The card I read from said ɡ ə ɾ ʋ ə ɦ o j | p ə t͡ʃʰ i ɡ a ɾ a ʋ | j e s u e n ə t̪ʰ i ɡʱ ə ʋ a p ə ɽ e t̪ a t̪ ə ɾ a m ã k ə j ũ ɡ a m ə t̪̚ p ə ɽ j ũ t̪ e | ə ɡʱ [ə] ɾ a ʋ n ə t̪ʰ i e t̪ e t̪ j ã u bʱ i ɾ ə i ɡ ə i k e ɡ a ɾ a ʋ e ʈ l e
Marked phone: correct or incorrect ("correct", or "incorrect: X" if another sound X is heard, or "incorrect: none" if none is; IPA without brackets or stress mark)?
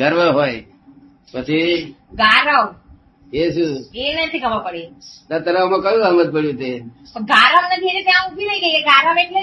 incorrect: a